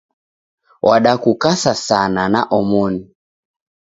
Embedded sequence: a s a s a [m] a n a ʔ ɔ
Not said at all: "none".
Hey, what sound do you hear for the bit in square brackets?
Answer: n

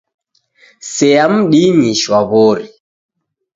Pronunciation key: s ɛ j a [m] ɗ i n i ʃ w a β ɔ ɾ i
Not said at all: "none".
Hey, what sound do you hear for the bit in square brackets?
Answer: m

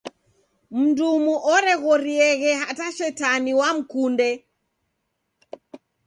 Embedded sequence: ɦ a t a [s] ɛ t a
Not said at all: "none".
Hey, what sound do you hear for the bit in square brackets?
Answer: ʃ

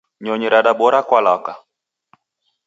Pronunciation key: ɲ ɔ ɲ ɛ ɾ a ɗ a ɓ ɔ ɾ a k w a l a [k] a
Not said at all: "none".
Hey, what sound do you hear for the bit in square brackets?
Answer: k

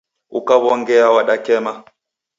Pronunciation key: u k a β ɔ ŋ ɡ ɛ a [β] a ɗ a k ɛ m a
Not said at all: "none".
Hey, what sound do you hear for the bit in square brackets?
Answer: w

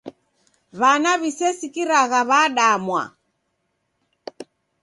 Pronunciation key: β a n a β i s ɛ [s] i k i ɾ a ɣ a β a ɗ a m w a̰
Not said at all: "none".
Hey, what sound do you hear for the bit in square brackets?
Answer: s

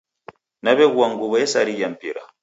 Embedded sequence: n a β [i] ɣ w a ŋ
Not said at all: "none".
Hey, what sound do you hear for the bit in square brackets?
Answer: ɛ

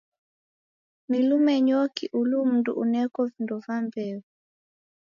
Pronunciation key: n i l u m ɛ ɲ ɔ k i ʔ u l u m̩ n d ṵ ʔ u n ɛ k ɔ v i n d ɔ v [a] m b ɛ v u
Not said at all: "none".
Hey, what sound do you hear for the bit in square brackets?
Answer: a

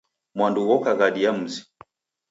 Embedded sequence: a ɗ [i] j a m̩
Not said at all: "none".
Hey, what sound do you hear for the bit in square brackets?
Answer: i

